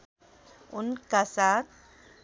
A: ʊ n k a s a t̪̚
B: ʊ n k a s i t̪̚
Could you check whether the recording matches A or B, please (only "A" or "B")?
A